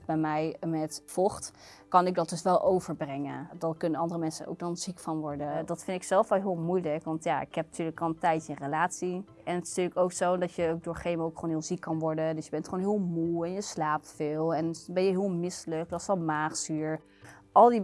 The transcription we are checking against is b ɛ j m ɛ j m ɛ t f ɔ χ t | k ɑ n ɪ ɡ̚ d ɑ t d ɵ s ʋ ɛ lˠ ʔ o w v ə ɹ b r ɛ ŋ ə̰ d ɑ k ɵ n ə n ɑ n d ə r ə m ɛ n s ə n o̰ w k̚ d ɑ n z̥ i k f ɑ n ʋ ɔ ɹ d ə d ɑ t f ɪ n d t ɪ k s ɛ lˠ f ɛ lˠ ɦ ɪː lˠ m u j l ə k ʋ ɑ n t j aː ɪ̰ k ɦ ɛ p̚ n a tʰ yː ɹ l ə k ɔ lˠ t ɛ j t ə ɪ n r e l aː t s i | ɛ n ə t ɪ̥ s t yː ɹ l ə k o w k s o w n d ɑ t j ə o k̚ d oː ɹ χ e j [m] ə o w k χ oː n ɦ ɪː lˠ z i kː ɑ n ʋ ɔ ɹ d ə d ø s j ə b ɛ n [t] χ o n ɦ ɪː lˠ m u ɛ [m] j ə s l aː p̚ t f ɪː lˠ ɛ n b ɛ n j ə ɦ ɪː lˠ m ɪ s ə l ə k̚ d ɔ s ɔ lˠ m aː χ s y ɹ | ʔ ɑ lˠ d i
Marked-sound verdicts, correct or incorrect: correct, correct, incorrect: n

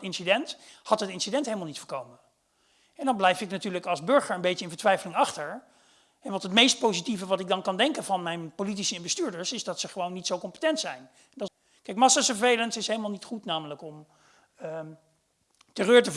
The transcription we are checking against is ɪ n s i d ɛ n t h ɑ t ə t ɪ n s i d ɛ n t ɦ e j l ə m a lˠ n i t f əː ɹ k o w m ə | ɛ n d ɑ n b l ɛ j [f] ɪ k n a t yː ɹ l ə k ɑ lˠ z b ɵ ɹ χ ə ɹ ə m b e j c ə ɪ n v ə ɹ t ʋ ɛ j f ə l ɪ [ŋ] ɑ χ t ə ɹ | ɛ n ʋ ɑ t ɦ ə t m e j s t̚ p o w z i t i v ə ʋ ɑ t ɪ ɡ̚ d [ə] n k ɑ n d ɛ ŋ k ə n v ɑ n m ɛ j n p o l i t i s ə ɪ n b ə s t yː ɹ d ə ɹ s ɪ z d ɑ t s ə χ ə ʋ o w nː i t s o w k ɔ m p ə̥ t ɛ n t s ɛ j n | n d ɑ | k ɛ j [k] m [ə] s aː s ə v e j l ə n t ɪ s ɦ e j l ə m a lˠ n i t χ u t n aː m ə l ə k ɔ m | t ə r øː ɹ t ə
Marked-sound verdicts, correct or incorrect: correct, correct, incorrect: ɑ, correct, incorrect: ɑ

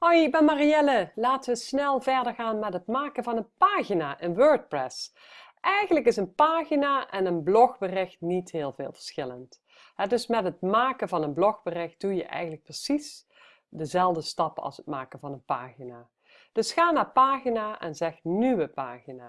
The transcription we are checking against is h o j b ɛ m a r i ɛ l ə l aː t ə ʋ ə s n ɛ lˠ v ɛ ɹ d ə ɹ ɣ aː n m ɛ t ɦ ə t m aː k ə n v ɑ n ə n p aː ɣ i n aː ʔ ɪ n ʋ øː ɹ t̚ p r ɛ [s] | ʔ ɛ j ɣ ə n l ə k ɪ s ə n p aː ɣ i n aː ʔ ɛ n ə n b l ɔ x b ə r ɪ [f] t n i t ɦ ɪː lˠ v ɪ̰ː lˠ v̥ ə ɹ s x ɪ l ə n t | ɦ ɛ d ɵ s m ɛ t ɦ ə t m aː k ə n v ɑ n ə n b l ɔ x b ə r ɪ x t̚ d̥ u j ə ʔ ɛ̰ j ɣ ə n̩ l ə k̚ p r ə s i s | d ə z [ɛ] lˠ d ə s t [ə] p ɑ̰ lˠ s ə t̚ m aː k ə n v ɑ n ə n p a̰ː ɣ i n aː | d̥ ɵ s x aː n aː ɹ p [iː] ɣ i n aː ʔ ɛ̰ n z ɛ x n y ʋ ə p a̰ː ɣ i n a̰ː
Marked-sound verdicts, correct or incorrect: correct, incorrect: x, correct, incorrect: ɑ, incorrect: aː

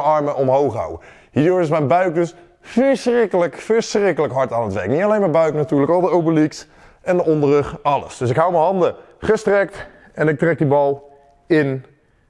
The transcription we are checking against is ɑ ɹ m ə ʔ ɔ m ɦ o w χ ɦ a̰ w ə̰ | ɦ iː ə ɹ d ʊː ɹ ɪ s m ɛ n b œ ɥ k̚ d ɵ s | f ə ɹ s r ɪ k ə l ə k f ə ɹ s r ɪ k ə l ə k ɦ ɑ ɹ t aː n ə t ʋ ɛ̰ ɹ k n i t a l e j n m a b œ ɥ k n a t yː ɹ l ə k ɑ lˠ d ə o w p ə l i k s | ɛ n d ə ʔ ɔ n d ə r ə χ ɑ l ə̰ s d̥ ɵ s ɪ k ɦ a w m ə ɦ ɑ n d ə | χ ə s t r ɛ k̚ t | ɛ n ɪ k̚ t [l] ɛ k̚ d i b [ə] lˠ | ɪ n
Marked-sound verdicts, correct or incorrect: incorrect: r, incorrect: ɑ

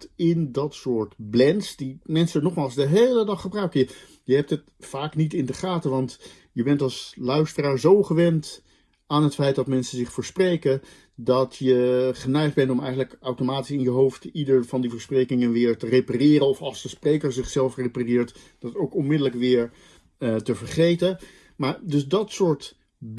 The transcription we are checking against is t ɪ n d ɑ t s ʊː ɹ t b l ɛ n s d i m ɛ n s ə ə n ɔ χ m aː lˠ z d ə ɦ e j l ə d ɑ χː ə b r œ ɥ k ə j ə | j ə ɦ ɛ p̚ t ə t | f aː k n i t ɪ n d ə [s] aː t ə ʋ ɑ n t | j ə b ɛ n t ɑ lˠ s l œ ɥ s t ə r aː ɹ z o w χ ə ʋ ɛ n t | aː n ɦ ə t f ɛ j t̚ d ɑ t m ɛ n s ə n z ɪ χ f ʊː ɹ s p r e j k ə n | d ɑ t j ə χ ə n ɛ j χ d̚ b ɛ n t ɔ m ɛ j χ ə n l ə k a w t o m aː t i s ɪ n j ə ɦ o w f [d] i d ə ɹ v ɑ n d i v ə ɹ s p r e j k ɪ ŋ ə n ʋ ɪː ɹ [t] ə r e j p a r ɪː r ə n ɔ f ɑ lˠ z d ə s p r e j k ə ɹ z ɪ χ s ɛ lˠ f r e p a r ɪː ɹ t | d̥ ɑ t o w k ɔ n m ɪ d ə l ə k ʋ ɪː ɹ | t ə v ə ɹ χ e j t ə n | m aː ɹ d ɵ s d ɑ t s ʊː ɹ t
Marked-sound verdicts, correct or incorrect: incorrect: χ, incorrect: t, correct

